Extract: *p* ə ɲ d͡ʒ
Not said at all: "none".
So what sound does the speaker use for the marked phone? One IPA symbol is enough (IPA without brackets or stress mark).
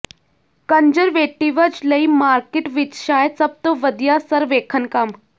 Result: k